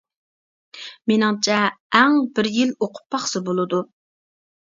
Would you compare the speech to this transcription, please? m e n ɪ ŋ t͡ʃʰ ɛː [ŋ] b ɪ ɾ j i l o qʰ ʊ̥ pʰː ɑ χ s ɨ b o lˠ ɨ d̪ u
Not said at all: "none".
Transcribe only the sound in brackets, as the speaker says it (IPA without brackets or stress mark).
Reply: ŋ